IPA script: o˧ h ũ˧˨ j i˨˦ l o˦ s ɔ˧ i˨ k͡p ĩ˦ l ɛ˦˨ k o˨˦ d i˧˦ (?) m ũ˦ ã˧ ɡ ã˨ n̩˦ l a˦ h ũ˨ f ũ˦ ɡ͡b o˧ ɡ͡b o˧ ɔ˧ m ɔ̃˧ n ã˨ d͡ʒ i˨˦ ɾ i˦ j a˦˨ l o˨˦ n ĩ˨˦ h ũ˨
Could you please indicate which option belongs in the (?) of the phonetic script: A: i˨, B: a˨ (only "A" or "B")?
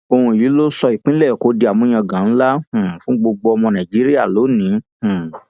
B